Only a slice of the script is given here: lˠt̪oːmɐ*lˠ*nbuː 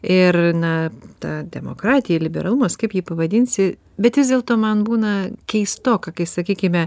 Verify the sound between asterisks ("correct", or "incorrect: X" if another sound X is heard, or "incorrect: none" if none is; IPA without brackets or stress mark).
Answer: incorrect: none